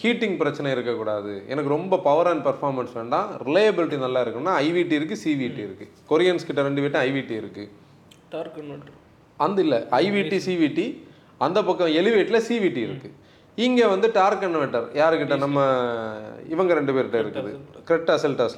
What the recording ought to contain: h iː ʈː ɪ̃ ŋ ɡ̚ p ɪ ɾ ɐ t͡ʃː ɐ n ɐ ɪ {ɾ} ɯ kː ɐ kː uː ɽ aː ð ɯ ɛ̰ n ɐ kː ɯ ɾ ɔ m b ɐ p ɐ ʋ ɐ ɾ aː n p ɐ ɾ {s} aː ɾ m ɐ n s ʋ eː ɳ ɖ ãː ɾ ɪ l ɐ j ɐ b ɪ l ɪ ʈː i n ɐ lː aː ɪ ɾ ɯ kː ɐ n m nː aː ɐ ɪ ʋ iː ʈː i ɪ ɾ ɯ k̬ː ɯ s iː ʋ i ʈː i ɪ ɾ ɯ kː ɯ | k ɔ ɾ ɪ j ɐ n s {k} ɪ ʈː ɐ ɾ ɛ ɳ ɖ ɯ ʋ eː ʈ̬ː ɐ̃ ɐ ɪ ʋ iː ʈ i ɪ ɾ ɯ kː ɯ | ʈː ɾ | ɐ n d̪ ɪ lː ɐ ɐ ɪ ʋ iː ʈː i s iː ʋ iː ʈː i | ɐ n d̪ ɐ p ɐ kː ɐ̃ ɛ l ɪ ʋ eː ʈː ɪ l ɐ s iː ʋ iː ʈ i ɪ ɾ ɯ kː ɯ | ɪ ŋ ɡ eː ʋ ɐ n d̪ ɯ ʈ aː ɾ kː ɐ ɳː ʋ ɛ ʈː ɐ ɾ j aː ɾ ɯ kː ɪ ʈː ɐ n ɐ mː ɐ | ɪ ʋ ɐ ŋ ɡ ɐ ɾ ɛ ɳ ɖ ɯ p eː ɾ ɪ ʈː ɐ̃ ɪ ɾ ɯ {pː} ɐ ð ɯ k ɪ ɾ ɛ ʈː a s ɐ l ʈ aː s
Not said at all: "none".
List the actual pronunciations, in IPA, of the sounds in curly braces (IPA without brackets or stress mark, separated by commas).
ɾ, f, k, kː